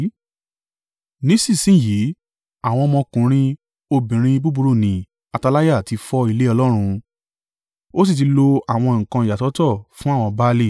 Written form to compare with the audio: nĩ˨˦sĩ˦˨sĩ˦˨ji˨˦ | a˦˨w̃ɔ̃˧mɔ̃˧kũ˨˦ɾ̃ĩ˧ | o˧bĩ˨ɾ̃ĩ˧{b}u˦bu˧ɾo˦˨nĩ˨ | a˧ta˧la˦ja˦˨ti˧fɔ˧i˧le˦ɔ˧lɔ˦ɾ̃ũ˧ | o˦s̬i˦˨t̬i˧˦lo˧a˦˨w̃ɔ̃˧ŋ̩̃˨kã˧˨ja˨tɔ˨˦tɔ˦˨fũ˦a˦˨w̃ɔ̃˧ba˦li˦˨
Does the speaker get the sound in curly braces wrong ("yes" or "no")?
no